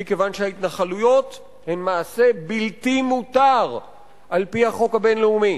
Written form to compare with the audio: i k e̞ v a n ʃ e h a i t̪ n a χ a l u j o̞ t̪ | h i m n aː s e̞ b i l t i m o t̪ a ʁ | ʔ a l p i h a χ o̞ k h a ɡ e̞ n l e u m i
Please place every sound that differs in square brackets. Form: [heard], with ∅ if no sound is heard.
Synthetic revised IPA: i k e̞ v a n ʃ e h a i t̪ n a χ a l u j o̞ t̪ | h [e] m [m] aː s e̞ b i l t i m [u] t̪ a ʁ | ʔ a l p i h a χ o̞ k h a [b] e̞ n l e u m i